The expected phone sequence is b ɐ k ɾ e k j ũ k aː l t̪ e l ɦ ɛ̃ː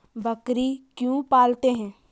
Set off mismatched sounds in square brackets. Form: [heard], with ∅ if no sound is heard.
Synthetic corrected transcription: b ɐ k ɾ [i] k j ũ [p] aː l t̪ e [∅] ɦ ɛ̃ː